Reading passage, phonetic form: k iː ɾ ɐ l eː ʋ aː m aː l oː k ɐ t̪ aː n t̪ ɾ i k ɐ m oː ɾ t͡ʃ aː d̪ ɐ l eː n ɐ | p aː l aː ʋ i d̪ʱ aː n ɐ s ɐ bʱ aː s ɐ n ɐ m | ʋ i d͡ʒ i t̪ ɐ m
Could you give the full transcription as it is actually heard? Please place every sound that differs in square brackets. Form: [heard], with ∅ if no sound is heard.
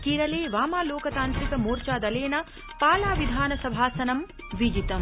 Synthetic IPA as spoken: k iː ɾ ɐ l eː ʋ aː m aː l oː k ɐ t̪ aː n t̪ ɾ i k ɐ m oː ɾ t͡ʃ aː d̪ ɐ l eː n ɐ | p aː l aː ʋ i d̪ʱ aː n ɐ s ɐ bʱ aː s ɐ n ɐ m | ʋ i d͡ʒ i t̪ ɐ m